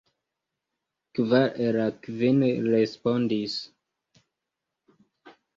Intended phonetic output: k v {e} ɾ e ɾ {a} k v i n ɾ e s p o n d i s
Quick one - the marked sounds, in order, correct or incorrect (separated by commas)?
incorrect, correct